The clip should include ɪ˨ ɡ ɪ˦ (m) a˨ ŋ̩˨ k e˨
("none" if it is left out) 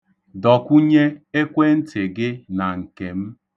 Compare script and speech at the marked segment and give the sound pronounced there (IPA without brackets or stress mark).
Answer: n